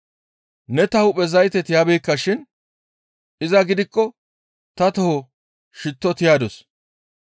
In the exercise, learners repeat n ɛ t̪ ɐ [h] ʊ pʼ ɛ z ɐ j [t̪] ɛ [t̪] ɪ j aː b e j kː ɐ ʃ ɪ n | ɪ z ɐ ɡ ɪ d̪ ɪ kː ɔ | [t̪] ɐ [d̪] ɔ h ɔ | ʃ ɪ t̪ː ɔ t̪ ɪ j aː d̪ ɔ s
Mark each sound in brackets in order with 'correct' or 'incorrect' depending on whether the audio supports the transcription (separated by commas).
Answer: correct, correct, correct, correct, incorrect